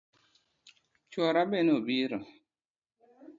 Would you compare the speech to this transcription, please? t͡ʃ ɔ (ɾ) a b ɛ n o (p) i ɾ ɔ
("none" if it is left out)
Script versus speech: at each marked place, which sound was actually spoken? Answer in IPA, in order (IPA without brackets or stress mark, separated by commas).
ɾ, b